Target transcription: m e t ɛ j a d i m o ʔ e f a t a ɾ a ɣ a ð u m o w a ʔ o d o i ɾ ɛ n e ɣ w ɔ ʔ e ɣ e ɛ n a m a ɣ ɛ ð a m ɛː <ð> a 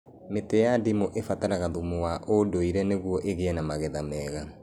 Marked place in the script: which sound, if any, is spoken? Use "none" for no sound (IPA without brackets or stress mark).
ɣ